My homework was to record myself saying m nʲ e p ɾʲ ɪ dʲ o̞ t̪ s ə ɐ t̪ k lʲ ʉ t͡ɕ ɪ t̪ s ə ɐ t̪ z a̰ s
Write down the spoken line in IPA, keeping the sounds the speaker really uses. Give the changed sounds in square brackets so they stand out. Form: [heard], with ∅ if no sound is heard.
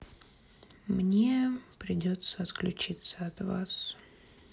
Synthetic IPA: m nʲ e p ɾʲ ɪ dʲ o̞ t̪ s ə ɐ t̪ k lʲ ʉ t͡ɕ [i] t̪ s ə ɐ t̪ [v] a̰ s